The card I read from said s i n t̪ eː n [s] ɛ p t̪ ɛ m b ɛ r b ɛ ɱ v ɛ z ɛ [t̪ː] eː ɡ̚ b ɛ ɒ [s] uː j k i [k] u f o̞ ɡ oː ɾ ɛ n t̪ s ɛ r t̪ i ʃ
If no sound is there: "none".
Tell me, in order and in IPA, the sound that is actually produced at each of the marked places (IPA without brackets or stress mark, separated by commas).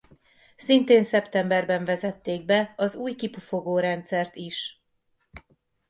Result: s, t̪ː, z, p